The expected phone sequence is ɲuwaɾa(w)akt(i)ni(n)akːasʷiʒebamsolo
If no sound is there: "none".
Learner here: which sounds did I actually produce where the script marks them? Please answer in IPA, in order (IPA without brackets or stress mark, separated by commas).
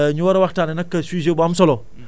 w, a, n